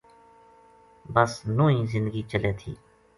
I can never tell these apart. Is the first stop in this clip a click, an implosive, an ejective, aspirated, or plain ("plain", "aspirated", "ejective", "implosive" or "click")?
plain